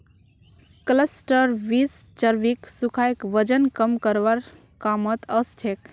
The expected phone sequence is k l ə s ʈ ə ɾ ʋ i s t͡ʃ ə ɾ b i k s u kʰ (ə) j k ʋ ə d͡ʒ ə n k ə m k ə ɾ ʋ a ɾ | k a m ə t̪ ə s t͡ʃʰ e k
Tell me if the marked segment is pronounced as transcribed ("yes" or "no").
no